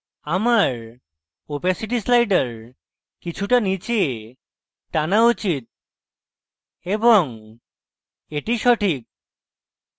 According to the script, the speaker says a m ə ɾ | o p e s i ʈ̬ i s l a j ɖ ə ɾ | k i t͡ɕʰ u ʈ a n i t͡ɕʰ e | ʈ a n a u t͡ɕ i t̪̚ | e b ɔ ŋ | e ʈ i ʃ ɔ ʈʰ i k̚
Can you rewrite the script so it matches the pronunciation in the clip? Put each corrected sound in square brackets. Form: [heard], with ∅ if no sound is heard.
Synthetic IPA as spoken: a m [a] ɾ | o p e s i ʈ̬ i s l a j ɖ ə ɾ | k i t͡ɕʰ u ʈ a n i [t͡ɕ] e | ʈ a n a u t͡ɕ i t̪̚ | e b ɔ ŋ | e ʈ i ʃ ɔ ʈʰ i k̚